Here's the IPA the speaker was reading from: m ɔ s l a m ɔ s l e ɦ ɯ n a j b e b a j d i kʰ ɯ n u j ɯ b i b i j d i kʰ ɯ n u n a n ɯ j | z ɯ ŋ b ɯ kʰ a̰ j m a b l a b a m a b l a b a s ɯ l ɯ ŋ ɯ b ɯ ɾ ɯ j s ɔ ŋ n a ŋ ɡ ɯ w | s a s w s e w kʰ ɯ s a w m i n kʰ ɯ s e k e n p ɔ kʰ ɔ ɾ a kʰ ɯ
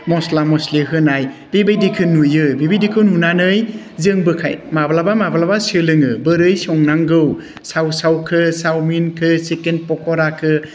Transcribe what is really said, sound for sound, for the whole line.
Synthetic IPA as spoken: m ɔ s l a m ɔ s l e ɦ ɯ n a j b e b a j d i kʰ ɯ n u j ɯ b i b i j d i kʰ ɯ n u n a n ɯ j | z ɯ ŋ b ɯ kʰ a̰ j m a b l a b a m a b l a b a s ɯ l ɯ ŋ ɯ b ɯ ɾ ɯ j s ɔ ŋ n a ŋ ɡ ɯ w | s a w s a w kʰ ɯ s a w m i n kʰ ɯ s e k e n p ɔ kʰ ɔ ɾ a kʰ ɯ